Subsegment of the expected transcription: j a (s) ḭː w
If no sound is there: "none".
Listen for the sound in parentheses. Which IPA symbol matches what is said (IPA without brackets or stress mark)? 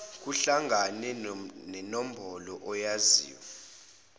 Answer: z